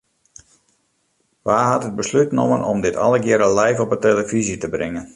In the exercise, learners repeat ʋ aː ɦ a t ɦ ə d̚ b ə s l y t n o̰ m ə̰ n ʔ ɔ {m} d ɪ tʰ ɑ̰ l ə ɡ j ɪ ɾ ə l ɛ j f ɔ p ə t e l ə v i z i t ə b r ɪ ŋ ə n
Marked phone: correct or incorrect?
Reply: correct